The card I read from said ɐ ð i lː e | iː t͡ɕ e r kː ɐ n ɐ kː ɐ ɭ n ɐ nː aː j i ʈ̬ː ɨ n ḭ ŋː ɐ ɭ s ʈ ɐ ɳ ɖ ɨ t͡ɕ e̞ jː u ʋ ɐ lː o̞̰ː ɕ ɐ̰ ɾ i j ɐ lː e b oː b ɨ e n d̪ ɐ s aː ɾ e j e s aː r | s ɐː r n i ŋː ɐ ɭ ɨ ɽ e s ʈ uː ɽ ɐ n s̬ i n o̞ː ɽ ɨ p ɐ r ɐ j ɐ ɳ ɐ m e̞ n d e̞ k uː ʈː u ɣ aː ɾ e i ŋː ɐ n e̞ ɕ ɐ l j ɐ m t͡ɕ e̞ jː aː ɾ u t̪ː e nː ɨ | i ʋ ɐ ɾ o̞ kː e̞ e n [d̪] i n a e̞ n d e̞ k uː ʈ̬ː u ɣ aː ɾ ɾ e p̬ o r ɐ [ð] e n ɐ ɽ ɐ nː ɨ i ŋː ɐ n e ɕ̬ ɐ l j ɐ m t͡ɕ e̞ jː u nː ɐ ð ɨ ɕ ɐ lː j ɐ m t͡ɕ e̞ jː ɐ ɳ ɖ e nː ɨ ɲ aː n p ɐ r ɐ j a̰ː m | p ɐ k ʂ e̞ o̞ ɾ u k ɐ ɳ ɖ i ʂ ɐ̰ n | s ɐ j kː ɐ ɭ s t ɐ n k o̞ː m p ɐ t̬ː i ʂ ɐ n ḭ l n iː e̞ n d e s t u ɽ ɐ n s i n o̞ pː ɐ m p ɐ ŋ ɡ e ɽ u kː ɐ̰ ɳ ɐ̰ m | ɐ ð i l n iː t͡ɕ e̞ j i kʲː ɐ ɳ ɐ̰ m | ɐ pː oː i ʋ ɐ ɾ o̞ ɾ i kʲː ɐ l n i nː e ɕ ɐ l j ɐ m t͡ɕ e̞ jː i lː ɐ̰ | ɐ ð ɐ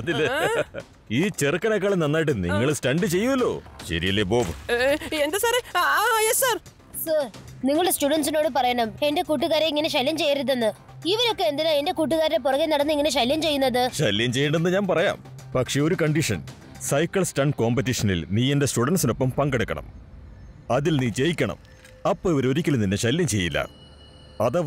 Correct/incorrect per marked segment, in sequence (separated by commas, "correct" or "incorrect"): correct, incorrect